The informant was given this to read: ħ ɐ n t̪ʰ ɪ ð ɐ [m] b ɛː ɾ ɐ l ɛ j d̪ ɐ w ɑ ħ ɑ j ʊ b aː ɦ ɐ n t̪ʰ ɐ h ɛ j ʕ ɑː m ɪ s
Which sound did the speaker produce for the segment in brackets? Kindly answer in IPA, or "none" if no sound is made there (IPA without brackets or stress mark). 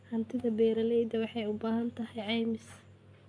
none